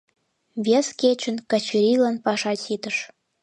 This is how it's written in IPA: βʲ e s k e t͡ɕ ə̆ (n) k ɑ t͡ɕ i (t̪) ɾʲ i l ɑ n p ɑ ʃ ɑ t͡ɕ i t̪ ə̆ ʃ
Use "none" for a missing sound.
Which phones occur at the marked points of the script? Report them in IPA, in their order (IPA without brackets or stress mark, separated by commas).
n, none